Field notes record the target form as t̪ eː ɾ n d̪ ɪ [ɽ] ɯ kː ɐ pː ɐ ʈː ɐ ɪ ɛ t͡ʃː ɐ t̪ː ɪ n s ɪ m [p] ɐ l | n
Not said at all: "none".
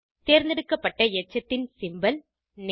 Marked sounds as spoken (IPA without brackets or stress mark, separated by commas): ɽ, b